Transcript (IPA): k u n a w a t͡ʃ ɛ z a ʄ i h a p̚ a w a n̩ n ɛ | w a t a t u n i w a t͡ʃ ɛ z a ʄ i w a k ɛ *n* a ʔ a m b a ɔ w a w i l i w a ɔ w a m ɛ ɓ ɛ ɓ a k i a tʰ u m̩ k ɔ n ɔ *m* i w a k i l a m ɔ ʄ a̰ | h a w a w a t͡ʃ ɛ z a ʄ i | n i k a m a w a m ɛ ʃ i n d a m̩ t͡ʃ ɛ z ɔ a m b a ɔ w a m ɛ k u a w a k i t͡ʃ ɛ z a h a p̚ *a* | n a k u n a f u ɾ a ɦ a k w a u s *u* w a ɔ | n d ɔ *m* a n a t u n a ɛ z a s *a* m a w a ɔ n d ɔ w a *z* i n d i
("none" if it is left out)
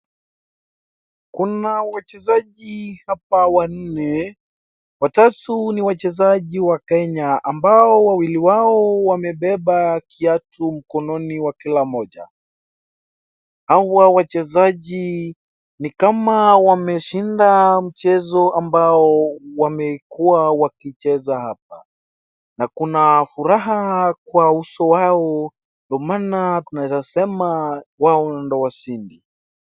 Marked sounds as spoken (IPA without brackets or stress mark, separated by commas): ɲ, n, a, ɔ, m, ɛ, s